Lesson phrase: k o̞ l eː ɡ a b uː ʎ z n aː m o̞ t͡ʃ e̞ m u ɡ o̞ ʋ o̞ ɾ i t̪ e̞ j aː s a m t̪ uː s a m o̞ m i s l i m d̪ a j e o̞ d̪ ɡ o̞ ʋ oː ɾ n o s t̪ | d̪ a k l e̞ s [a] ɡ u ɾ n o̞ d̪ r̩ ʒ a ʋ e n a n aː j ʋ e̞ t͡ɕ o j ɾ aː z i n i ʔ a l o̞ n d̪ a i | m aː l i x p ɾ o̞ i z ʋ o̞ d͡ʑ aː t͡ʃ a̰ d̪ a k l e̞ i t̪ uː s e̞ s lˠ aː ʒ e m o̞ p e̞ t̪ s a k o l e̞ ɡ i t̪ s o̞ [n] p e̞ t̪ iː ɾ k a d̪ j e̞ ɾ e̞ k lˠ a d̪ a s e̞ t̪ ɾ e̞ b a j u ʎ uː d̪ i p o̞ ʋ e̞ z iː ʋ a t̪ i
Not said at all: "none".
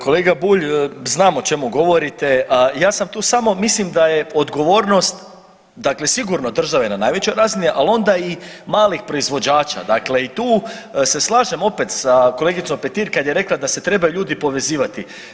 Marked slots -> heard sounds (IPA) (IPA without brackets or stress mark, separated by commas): i, m